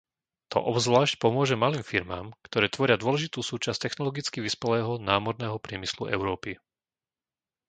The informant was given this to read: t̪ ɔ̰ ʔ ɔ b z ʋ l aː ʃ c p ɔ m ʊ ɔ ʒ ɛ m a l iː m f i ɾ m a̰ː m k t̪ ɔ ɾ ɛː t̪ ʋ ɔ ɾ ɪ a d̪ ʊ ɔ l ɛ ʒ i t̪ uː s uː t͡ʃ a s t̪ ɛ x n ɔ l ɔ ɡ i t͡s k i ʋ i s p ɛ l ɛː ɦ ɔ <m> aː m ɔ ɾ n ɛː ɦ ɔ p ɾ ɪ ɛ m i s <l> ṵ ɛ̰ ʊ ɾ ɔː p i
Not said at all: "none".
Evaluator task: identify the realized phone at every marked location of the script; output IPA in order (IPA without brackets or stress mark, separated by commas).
n, l